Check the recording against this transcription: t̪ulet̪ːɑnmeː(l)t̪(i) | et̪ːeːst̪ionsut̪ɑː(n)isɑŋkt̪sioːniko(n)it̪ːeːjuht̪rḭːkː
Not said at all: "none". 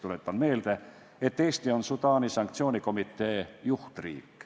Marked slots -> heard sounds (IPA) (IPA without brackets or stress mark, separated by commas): l, æ, n, m